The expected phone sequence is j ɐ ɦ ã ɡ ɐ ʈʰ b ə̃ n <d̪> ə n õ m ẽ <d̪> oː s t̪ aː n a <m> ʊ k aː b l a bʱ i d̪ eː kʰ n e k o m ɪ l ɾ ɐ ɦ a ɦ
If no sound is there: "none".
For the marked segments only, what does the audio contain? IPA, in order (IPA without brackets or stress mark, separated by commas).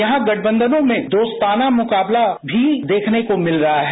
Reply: d̪, d̪, m